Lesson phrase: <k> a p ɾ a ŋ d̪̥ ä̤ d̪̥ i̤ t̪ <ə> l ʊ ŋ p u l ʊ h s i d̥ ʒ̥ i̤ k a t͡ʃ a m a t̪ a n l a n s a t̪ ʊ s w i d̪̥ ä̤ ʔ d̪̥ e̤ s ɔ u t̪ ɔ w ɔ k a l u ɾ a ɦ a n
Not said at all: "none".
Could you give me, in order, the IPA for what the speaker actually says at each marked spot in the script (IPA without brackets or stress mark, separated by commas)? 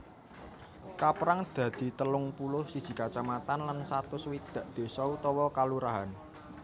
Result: k, ə